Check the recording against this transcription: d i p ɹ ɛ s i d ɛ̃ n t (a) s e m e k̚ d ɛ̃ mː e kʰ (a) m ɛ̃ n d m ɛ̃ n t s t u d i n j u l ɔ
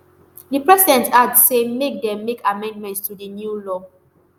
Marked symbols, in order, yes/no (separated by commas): yes, yes